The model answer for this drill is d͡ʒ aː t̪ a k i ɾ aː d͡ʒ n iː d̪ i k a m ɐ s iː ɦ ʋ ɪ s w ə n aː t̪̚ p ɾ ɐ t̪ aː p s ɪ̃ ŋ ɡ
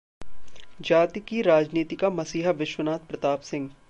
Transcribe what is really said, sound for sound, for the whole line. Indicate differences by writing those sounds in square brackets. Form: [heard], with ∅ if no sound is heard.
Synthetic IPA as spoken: d͡ʒ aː t̪ [i] k i ɾ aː d͡ʒ n iː [t̪] i k a m ɐ s iː ɦ ʋ ɪ [ʃ] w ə n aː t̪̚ p ɾ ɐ t̪ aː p s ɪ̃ ŋ ɡ